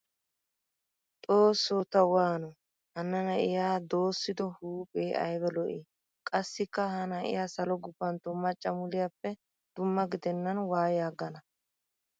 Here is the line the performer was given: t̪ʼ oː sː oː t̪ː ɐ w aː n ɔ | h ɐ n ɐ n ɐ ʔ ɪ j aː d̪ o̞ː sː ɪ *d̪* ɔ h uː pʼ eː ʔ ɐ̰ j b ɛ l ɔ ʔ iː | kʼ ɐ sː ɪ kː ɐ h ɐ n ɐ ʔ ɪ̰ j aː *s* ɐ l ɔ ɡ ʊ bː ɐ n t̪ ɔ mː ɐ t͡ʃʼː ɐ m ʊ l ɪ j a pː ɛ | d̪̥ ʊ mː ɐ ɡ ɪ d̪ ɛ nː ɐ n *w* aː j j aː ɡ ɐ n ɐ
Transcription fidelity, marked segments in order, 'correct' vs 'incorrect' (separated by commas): correct, correct, correct